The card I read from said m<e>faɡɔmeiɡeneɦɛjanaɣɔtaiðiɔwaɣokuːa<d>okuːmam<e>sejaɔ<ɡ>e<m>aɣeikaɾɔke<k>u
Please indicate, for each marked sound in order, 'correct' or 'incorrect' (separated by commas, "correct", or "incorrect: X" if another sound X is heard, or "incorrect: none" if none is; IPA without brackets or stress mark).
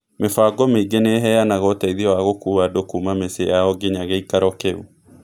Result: correct, correct, correct, correct, incorrect: ɲ, incorrect: none